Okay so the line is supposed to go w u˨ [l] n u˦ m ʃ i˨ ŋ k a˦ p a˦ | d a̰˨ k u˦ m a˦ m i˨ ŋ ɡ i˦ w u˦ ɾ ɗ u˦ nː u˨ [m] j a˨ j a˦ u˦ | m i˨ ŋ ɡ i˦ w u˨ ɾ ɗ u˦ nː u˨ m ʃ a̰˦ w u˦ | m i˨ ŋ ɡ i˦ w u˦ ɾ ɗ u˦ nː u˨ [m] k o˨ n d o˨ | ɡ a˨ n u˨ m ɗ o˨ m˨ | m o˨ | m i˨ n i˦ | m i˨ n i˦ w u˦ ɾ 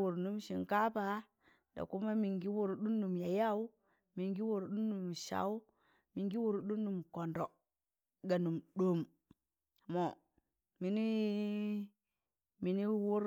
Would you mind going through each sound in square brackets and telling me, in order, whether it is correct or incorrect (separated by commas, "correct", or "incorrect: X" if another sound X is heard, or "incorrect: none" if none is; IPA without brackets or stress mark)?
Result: incorrect: ɾ, correct, correct